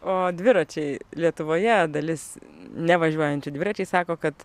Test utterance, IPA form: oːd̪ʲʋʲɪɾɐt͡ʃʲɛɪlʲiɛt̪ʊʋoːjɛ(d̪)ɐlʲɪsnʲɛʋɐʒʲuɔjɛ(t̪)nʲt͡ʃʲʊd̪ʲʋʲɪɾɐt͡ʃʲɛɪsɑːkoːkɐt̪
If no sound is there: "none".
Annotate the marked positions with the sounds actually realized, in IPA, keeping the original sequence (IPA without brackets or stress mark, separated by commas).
d̪, none